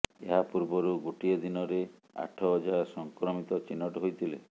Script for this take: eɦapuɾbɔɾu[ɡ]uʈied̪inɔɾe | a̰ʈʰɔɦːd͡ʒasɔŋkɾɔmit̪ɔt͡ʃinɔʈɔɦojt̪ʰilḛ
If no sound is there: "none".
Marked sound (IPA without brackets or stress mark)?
ɡ